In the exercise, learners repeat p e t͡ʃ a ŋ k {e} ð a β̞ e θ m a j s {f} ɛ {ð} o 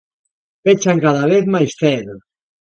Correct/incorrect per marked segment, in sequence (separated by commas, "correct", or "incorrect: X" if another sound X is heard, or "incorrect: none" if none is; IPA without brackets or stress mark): incorrect: a, incorrect: θ, correct